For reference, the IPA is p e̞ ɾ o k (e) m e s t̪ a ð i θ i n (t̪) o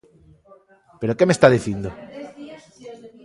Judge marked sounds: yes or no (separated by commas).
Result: yes, no